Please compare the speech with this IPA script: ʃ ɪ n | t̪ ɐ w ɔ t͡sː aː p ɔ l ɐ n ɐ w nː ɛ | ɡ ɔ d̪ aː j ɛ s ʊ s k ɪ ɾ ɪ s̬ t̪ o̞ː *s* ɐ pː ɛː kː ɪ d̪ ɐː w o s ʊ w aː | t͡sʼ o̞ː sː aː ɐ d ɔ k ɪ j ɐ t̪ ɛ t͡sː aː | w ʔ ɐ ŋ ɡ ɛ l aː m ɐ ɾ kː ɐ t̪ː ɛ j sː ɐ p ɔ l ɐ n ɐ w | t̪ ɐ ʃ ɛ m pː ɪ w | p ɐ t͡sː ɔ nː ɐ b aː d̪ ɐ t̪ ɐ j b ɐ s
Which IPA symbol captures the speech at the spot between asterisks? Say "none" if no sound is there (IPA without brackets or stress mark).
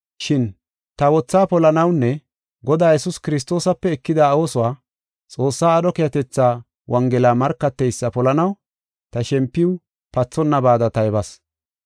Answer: s